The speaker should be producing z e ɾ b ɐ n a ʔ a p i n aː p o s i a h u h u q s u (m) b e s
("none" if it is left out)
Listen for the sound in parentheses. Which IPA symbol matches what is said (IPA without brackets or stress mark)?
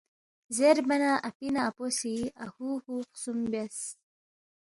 m